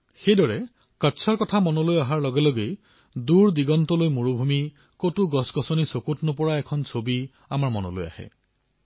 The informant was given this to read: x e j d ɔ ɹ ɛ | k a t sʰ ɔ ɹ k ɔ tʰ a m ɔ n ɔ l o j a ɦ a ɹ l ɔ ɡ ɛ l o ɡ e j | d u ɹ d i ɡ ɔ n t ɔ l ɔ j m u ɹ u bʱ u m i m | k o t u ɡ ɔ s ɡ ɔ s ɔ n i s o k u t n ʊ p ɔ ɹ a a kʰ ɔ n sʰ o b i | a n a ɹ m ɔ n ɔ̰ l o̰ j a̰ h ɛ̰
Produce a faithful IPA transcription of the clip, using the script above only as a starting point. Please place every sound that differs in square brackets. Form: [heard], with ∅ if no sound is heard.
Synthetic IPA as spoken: x e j d ɔ ɹ ɛ | k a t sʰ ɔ ɹ k ɔ tʰ a m ɔ n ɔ l o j a ɦ a ɹ l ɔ ɡ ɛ l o ɡ e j | d u ɹ d i ɡ ɔ n t ɔ l [o] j m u ɹ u bʱ u m i [∅] | k o t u ɡ ɔ s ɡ ɔ s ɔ n i s o k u t n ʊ p ɔ ɹ a [ɛ] kʰ ɔ n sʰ o b i | a [m] a ɹ m ɔ n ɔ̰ l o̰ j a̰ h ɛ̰